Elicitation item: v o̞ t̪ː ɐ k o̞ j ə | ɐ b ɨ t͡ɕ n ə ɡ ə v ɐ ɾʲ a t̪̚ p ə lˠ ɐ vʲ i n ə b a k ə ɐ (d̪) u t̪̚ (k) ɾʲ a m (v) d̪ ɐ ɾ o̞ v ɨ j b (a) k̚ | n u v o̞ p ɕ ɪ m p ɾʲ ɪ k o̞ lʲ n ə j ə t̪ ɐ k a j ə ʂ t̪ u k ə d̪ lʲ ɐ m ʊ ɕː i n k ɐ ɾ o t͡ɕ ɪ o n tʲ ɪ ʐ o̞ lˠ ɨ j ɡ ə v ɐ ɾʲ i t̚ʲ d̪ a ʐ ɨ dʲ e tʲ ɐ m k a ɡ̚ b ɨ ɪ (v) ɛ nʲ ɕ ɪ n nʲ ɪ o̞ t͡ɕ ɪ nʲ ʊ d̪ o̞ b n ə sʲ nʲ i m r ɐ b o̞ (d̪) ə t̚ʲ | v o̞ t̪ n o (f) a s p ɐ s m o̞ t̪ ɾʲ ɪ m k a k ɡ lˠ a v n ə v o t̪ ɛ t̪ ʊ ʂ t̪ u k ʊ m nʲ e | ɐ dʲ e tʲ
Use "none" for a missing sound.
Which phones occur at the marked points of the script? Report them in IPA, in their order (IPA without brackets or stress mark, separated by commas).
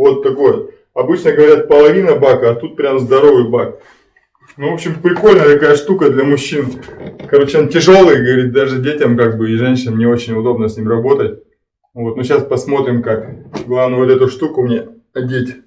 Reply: t̪, p, z, a, ʐ, t̪, ɕ